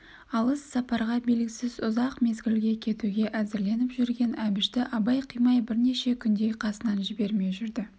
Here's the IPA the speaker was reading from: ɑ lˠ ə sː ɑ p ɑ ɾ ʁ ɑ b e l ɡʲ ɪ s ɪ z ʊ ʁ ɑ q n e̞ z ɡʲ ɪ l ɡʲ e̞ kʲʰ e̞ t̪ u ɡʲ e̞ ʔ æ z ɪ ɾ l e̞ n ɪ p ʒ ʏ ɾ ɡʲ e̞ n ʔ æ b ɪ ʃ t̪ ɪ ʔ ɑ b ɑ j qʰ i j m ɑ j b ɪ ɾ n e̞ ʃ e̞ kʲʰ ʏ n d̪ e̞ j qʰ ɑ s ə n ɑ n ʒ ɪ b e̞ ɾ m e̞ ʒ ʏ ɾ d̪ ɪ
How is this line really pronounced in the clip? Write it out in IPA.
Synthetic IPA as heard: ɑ lˠ ə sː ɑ p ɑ ɾ ʁ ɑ b e l ɡʲ ɪ s ɪ z ʊ z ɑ q m e̞ z ɡʲ ɪ l ɡʲ e̞ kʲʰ e̞ t̪ u ɡʲ e̞ ʔ æ z ɪ ɾ l e̞ n ɪ p ʒ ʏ ɾ ɡʲ e̞ n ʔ æ b ɪ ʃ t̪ ɪ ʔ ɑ b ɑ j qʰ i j m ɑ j b ɪ ɾ n e̞ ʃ e̞ kʲʰ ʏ n d̪ e̞ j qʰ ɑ s ə n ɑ n ʒ ɪ b e̞ ɾ m e̞ ʒ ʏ ɾ d̪ ɪ